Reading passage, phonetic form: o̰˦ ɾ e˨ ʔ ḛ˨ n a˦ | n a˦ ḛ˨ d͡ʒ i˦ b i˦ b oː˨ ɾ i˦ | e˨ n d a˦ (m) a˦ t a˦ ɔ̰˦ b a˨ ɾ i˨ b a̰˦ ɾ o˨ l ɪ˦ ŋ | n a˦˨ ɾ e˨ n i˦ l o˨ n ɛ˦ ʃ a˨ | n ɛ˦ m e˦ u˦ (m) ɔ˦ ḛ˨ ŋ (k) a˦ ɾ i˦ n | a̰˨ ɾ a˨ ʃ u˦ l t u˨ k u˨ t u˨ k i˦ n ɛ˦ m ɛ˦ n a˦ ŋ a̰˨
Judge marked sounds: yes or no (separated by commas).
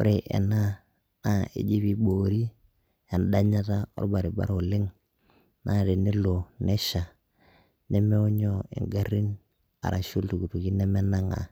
no, no, no